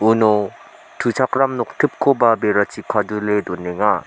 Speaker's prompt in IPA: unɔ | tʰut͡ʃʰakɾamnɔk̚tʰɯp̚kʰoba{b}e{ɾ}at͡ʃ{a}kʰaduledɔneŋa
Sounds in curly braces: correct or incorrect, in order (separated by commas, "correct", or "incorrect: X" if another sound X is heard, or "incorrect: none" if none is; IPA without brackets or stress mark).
correct, correct, incorrect: i